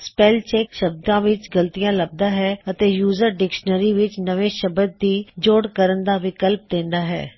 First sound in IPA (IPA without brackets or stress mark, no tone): s